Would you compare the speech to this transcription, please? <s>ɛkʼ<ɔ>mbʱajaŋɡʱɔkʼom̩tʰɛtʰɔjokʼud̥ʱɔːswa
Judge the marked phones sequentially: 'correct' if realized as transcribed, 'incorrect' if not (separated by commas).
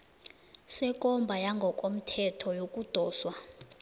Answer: correct, correct